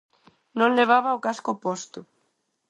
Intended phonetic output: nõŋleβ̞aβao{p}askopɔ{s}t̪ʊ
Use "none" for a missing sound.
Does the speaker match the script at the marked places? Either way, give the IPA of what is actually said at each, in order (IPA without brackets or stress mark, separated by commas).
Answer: k, s